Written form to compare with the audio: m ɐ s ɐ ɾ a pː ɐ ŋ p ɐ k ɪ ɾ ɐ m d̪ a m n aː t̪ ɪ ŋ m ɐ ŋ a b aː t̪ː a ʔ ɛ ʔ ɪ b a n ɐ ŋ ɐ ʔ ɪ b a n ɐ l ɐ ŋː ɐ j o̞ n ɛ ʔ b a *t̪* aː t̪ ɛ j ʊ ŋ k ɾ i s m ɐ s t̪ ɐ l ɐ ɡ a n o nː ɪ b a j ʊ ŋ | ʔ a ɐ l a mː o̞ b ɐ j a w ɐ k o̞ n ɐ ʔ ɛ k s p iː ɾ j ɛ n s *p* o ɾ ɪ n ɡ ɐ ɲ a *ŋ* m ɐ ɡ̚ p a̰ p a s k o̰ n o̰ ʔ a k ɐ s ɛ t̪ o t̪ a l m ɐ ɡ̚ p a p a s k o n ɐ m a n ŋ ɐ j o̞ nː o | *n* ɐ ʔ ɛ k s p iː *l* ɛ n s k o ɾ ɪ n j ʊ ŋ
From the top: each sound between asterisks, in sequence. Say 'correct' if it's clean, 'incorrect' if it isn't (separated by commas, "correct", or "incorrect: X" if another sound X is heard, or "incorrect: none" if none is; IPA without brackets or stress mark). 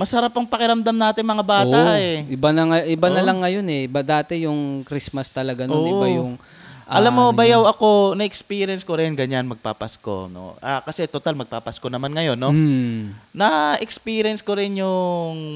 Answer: incorrect: d̪, incorrect: k, incorrect: n, correct, incorrect: ɾ